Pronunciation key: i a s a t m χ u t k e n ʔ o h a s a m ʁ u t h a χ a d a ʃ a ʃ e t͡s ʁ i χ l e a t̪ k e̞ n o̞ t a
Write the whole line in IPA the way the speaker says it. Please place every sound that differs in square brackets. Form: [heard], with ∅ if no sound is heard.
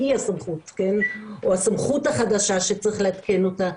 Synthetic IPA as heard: i a s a [∅] m χ u t k e n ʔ o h a s a m [χ] u t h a χ a d a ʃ a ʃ e t͡s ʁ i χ l e a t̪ k e̞ n o̞ t a